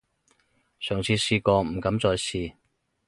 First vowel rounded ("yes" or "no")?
yes